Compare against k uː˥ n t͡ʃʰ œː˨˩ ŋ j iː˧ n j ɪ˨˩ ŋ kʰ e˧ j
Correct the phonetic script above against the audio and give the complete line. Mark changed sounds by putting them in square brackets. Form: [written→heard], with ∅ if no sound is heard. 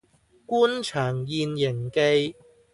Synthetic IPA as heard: k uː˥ n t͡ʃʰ œː˨˩ ŋ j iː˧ n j ɪ˨˩ ŋ [kʰ→k] e˧ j